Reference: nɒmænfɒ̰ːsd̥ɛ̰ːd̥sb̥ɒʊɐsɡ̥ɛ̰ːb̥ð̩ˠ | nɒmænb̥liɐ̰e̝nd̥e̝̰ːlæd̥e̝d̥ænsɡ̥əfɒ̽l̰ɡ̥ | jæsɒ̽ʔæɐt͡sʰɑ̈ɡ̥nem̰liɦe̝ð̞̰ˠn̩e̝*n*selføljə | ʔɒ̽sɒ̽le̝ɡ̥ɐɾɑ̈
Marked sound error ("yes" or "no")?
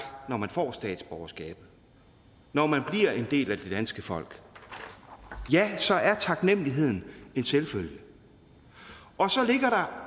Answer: no